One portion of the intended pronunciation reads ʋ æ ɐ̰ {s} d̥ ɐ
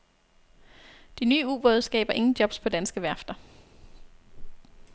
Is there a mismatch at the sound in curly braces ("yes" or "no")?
yes